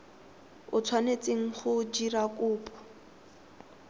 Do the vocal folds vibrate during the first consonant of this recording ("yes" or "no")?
no